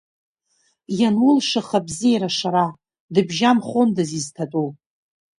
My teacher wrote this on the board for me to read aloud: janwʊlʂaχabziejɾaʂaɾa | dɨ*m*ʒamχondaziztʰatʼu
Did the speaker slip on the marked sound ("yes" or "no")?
yes